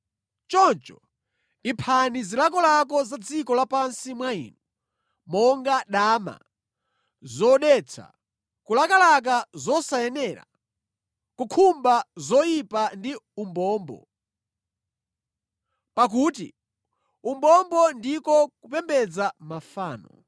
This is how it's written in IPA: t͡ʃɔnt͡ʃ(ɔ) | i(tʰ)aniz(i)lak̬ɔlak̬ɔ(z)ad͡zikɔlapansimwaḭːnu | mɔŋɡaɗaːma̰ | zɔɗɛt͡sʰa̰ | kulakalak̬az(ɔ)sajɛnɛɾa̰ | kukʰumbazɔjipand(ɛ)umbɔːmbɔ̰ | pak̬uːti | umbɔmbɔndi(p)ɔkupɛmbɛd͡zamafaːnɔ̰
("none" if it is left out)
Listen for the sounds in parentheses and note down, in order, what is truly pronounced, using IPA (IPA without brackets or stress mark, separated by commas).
ɔ, pʰ, i, z, ɔ, i, k